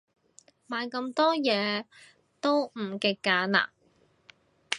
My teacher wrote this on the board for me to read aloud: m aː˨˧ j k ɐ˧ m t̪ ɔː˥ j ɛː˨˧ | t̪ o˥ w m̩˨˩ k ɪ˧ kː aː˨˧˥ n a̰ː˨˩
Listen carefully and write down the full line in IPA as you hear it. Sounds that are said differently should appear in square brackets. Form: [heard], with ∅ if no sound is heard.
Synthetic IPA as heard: m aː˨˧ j k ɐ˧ m t̪ ɔː˥ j ɛː˨˧ | t̪ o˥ w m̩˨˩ k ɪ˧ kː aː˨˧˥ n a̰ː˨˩